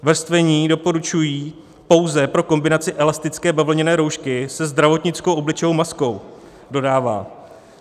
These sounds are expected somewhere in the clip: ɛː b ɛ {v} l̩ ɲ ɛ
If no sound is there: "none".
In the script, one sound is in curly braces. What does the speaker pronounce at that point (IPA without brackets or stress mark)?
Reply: v